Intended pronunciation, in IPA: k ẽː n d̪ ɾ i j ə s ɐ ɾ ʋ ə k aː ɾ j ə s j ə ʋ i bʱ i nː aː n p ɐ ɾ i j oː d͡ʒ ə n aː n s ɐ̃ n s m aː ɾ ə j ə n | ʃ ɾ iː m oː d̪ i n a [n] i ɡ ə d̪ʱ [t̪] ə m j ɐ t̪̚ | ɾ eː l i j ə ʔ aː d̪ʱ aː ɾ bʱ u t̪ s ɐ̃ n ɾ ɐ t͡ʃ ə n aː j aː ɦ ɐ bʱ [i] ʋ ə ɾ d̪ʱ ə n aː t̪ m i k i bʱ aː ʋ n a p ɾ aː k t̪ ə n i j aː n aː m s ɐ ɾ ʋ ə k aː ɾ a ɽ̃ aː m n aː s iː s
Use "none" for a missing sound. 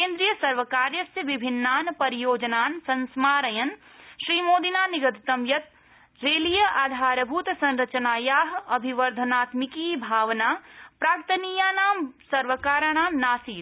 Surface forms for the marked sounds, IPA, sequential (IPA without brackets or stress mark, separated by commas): n, t̪, i